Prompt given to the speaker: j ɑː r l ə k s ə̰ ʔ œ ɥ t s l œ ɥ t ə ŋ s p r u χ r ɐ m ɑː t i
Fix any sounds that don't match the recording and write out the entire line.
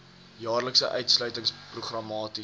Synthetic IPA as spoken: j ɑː r l ə k s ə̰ ʔ œ ɥ t s l œ ɥ t ə ŋ s p r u χ r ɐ m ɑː t i